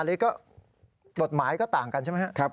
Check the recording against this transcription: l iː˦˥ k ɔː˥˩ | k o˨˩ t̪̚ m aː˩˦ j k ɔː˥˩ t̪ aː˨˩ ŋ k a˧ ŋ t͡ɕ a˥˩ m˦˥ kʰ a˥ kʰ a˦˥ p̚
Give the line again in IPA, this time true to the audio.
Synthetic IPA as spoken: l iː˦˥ k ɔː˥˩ | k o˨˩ t̪̚ m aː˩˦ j k ɔː˥˩ t̪ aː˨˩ ŋ k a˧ n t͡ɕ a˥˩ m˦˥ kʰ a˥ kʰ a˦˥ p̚